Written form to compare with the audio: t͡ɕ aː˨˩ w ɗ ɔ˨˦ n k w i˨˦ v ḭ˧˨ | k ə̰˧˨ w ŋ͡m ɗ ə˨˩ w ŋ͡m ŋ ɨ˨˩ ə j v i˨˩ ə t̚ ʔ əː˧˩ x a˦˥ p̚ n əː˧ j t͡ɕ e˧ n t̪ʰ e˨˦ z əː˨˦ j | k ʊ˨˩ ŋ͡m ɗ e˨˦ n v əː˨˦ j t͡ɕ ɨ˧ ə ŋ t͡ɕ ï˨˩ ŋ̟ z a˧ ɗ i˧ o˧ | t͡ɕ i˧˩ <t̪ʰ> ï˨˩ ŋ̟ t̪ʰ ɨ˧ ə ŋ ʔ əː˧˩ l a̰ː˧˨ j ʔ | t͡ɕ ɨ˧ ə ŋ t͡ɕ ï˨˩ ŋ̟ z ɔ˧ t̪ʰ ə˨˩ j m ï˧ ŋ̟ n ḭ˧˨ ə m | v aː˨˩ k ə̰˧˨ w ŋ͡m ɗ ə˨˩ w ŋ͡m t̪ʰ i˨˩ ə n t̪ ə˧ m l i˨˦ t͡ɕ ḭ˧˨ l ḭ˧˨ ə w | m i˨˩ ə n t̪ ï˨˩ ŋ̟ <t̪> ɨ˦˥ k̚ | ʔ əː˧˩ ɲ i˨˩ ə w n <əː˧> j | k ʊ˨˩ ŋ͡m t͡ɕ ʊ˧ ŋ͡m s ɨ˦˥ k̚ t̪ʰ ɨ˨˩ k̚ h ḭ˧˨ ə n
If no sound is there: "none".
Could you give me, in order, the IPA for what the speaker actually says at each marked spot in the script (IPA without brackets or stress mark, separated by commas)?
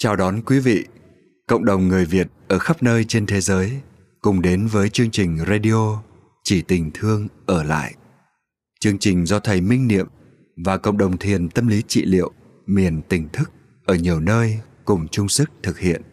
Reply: t̪, t̪ʰ, əː˧